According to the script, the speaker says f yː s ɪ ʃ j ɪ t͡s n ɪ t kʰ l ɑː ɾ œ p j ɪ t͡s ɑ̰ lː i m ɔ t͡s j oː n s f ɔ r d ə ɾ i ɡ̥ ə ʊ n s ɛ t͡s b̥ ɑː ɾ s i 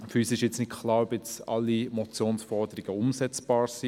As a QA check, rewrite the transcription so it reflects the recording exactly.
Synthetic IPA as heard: f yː s ɪ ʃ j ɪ t͡s n ɪ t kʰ l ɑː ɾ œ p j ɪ t͡s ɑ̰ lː i m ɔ t͡s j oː n s f ɔ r d ə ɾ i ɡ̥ ə ʊ m s ɛ t͡s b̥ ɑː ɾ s i